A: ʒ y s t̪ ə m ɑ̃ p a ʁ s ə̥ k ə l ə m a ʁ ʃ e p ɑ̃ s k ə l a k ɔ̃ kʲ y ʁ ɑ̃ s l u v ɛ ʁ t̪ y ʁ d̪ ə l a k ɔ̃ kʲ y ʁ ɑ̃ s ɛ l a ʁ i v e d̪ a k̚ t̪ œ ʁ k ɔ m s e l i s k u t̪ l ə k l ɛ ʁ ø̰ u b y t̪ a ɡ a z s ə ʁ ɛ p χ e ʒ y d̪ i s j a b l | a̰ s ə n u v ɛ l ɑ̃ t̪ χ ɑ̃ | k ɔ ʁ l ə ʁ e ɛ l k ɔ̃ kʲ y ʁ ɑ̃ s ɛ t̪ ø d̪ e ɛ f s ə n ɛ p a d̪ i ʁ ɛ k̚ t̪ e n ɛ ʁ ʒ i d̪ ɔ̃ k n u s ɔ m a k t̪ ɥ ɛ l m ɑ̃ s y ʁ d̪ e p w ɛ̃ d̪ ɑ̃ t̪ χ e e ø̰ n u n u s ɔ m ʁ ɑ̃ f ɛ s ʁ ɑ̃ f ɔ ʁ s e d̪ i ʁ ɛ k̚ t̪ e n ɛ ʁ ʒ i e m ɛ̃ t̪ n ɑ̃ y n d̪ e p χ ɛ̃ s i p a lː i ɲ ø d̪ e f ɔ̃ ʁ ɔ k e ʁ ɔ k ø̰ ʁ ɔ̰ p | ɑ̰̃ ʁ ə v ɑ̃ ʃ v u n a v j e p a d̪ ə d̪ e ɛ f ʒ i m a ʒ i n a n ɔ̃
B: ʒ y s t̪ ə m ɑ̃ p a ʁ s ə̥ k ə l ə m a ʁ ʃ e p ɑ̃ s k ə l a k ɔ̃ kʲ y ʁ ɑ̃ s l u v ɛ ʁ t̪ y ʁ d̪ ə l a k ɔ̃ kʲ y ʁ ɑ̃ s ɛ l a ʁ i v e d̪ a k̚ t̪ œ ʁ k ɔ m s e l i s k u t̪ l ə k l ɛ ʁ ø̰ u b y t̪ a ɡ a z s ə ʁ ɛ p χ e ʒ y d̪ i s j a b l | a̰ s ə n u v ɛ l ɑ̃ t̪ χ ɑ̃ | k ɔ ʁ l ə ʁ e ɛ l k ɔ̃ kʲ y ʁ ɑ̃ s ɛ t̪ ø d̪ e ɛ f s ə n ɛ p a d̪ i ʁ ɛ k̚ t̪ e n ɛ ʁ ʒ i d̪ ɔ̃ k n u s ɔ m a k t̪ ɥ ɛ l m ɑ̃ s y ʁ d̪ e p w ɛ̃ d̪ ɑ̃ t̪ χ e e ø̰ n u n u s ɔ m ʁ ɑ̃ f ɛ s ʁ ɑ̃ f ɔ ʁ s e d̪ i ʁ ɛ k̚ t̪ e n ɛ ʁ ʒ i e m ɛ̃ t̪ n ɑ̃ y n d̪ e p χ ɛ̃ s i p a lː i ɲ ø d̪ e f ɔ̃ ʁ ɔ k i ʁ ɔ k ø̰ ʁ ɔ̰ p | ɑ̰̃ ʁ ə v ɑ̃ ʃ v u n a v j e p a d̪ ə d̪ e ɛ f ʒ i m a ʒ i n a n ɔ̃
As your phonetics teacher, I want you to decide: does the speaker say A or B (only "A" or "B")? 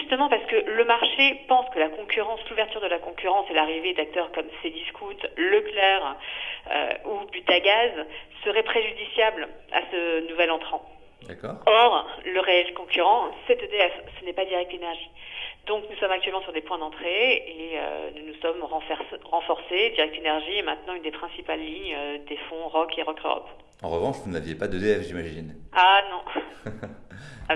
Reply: A